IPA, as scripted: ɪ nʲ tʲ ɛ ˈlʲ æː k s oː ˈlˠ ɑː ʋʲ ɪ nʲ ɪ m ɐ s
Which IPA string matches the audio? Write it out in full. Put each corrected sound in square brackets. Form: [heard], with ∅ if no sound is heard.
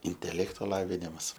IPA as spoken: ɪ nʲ tʲ ɛ ˈlʲ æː k [t] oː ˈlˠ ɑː ʋʲ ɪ nʲ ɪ m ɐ s